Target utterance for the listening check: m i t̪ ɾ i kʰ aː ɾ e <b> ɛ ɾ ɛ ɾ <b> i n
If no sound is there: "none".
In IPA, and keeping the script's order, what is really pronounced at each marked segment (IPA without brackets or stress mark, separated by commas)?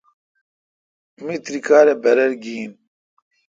b, ɡ